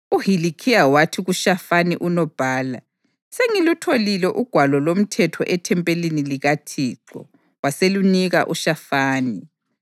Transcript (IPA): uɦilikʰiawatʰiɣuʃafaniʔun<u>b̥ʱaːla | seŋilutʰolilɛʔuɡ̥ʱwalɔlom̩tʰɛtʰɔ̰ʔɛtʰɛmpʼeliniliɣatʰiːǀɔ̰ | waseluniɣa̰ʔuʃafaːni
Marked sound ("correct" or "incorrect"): incorrect